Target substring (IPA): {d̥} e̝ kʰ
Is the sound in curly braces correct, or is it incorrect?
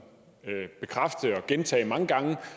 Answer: incorrect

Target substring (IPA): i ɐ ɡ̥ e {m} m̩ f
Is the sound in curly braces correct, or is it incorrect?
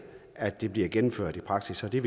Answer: incorrect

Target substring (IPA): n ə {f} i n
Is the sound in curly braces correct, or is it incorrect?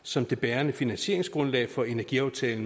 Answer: correct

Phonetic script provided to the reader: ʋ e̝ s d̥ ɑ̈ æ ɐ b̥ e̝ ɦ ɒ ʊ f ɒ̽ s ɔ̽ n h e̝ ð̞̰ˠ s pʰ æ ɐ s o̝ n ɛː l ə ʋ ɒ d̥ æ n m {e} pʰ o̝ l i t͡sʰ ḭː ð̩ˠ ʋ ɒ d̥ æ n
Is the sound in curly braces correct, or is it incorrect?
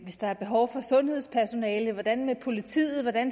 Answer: correct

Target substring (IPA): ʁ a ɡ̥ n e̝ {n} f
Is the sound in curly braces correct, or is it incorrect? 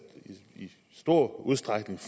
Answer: incorrect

